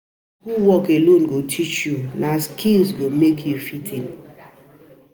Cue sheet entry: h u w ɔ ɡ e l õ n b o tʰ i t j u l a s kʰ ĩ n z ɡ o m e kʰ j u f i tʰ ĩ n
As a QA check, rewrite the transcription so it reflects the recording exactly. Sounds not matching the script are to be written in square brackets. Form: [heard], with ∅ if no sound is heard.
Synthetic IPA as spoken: h u w ɔ [k] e l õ n [ɡ] o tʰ i [t͡ʃ] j u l a s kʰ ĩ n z ɡ o m e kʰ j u f i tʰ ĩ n